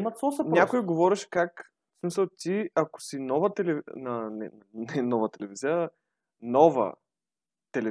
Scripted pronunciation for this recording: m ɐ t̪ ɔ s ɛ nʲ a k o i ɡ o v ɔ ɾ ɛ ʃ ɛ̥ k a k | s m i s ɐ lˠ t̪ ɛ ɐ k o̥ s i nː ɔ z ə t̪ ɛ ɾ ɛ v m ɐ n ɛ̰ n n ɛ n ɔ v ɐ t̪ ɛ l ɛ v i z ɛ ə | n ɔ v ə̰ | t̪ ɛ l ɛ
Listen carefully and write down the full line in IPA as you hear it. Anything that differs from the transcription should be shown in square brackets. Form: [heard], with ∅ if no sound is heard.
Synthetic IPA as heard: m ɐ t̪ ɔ s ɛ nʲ a k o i ɡ o v ɔ ɾ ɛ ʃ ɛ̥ k a k | s m i s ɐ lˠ t̪ [i] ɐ k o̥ s i [n] ɔ [v] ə t̪ ɛ [l] ɛ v [n] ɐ n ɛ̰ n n ɛ n ɔ v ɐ t̪ ɛ l ɛ v i z [i] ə | n ɔ v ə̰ | t̪ ɛ l ɛ